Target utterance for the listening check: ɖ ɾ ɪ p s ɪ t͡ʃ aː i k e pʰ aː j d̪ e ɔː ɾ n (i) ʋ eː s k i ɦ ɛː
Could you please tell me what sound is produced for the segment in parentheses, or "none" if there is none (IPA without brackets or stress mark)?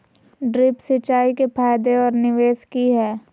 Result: ɪ